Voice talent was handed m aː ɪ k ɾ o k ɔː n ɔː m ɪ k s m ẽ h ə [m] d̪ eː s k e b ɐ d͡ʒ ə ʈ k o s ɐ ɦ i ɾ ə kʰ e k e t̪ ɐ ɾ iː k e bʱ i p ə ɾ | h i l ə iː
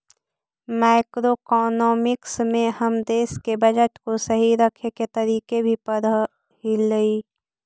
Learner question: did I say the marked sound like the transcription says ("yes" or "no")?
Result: yes